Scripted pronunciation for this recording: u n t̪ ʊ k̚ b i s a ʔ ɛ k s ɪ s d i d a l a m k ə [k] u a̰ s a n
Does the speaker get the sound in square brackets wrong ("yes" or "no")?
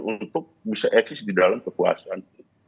no